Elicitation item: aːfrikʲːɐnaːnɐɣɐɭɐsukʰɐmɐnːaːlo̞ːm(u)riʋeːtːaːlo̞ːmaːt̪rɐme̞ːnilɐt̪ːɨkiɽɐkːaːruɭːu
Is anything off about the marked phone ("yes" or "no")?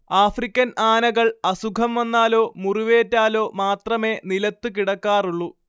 no